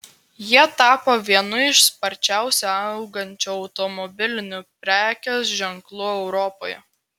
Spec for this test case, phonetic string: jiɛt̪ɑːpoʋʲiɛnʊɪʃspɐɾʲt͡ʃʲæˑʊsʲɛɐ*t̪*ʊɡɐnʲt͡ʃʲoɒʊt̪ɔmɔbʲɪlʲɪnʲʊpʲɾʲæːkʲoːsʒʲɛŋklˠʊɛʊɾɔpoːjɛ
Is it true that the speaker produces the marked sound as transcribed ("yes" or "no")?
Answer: no